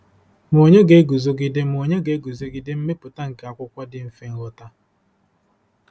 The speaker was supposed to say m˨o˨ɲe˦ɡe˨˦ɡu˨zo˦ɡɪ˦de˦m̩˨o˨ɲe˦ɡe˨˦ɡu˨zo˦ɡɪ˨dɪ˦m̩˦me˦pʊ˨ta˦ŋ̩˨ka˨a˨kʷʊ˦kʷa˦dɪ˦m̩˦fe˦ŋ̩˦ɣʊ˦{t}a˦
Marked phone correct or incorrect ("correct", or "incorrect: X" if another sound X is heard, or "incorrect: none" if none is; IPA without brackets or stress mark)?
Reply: correct